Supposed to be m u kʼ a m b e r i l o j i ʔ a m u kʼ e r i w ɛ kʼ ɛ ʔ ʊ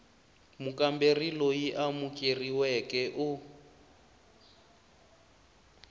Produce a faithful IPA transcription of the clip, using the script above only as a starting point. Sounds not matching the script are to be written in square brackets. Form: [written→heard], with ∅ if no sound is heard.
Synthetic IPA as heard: m u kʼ a m b e r i l o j i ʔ a m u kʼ e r i w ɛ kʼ ɛ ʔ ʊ